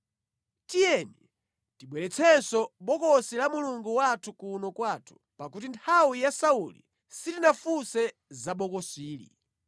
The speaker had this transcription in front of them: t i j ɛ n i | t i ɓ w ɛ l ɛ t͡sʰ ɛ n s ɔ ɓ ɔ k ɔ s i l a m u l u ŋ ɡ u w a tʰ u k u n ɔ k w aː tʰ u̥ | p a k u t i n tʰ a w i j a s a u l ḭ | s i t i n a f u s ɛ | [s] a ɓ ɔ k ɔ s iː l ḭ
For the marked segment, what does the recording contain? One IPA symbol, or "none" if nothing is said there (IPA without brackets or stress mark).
z